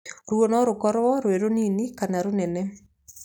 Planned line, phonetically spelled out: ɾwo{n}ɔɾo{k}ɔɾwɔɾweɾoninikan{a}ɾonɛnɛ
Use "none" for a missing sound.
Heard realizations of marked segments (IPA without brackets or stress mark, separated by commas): n, k, a